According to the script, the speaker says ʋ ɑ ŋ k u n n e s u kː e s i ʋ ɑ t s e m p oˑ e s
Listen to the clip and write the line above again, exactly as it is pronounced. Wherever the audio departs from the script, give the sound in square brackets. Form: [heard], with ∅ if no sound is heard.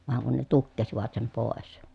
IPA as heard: ʋ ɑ ŋ k u n n e [t] u kː e s i ʋ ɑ t s e m p oˑ e s